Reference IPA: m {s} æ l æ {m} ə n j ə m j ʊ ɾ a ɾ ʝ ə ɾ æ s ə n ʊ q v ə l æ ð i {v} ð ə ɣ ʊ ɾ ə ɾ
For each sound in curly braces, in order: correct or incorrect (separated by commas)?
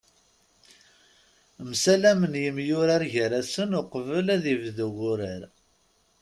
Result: correct, correct, correct